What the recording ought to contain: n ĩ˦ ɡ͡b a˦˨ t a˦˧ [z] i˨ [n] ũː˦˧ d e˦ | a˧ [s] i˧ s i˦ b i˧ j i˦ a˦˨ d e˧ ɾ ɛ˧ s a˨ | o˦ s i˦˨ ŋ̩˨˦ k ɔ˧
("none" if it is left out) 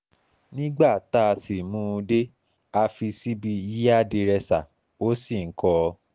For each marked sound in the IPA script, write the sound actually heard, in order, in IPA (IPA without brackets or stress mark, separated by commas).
s, m, f